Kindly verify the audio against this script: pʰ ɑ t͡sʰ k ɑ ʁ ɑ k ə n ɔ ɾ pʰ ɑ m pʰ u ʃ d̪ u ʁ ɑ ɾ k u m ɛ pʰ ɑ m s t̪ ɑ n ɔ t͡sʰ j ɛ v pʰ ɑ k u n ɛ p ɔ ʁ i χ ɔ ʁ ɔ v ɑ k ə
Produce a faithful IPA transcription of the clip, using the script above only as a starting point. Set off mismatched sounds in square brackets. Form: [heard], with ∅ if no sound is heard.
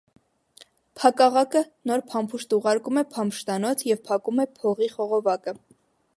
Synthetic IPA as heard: pʰ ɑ [∅] k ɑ ʁ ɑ k ə n ɔ ɾ pʰ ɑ m pʰ u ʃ [t̪] u ʁ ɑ ɾ k u m ɛ pʰ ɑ m [ʃ] t̪ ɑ n ɔ t͡sʰ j ɛ v pʰ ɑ k u [m] ɛ [pʰ] ɔ ʁ i χ ɔ ʁ ɔ v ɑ k ə